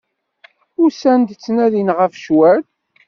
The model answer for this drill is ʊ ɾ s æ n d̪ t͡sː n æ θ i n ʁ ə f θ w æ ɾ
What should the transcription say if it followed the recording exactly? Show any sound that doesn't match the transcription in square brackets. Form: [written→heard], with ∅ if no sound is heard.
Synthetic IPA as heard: ʊ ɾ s æ n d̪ t͡sː n æ [θ→ð] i n ʁ ə f [θ→ʃ] w æ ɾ